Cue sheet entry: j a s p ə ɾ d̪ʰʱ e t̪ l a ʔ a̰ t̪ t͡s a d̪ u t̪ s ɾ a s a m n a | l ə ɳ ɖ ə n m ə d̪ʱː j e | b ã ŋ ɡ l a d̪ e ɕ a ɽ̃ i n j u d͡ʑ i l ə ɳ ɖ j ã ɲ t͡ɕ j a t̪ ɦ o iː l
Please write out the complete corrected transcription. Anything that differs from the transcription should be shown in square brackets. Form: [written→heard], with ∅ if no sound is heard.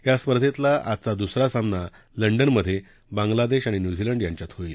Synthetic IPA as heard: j a s p ə ɾ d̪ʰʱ e t̪ l a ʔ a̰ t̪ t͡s a d̪ u [t̪→∅] s ɾ a s a m n a | l ə ɳ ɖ ə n m ə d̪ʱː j e | b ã ŋ ɡ l a d̪ e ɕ a ɽ̃ i n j u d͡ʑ i l ə ɳ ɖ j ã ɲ t͡ɕ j a t̪ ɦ o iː l